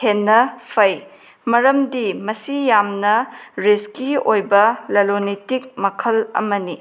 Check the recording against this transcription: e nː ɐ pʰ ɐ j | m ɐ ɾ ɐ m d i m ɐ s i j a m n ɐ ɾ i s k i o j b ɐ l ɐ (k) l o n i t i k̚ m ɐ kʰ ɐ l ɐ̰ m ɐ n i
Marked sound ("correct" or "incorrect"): incorrect